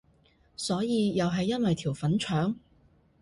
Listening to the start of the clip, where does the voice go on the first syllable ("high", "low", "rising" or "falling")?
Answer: rising